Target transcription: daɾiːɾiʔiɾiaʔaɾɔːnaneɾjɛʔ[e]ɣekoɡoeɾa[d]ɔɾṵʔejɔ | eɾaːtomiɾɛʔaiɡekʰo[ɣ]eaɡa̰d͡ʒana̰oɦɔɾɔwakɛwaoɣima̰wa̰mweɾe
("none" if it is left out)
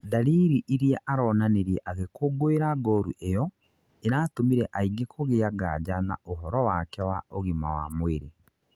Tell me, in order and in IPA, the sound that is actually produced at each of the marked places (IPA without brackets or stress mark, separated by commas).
a, ɡ, ɣ